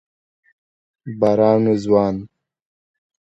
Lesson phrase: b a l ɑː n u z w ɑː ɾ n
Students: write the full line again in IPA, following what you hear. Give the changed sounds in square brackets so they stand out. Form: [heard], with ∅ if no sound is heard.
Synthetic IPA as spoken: b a [ɾ] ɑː n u z w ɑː [∅] n